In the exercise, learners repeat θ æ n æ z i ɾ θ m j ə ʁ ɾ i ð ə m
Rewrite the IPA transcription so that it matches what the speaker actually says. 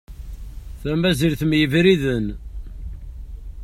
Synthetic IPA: θ æ m æ z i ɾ θ m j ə v ɾ i ð ə n